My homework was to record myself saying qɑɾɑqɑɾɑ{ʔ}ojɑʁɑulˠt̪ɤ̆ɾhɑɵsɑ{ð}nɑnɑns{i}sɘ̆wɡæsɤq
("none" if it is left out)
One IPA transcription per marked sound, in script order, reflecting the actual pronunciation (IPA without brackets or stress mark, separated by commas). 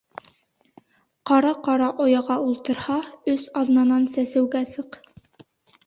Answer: ʔ, ð, æ